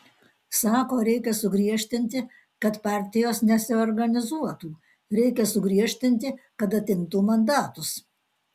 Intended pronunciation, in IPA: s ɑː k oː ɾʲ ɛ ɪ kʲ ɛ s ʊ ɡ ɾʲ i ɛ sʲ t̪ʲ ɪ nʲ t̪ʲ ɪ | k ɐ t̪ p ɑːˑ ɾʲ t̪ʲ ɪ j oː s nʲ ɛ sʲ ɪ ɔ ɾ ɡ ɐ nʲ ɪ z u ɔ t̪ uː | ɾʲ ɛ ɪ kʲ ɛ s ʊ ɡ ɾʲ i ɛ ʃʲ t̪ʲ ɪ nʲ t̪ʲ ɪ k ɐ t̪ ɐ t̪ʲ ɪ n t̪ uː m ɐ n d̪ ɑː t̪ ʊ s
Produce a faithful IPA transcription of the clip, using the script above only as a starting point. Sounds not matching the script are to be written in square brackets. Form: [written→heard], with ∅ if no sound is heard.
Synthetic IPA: s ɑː k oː ɾʲ ɛ ɪ kʲ ɛ s ʊ ɡ ɾʲ i ɛ [sʲ→ʃʲ] t̪ʲ ɪ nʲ t̪ʲ ɪ | k ɐ t̪ p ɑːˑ ɾʲ t̪ʲ ɪ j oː s nʲ ɛ sʲ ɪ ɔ ɾ ɡ ɐ nʲ ɪ z u ɔ t̪ uː | ɾʲ ɛ ɪ kʲ ɛ s ʊ ɡ ɾʲ i ɛ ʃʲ t̪ʲ ɪ nʲ t̪ʲ ɪ k ɐ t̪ ɐ t̪ʲ ɪ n t̪ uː m ɐ n d̪ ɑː t̪ ʊ s